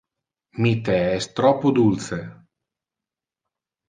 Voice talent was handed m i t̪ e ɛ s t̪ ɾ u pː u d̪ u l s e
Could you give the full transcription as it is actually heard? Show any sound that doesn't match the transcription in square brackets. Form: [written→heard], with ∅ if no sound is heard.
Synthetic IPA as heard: m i t̪ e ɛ s t̪ ɾ [u→ɔ] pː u d̪ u l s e